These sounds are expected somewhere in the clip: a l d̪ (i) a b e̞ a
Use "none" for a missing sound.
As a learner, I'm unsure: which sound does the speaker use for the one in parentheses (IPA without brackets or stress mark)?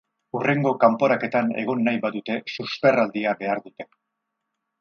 i